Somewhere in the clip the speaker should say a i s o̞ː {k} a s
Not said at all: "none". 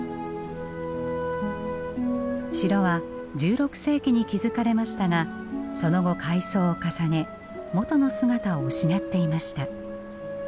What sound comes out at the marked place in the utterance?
k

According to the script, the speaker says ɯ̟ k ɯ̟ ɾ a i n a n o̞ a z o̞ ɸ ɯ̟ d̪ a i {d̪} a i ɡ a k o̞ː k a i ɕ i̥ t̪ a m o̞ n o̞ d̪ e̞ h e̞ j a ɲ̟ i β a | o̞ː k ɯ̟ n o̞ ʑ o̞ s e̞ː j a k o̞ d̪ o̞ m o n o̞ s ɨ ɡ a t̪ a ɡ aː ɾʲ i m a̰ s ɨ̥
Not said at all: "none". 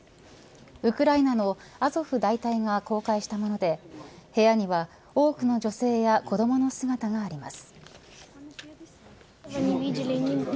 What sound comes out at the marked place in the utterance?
t̪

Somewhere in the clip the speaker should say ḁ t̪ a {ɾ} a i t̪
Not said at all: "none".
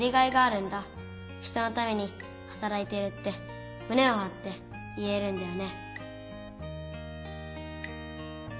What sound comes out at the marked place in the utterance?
ɾ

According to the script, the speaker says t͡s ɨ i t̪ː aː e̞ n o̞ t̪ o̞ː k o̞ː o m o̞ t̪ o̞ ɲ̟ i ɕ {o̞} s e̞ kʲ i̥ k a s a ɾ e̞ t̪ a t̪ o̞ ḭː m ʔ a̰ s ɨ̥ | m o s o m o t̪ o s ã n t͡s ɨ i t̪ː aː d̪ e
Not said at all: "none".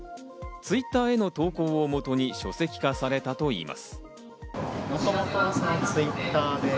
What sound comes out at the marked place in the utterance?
o̞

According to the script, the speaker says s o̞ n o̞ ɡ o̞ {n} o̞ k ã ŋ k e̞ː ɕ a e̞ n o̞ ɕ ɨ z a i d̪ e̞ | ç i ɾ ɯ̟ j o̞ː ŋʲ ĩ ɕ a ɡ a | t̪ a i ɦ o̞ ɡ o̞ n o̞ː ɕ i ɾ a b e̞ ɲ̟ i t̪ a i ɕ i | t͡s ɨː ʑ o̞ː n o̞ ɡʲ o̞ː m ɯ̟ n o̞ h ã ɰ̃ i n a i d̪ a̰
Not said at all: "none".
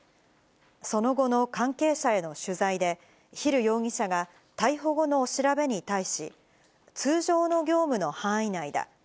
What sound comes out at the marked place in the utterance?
n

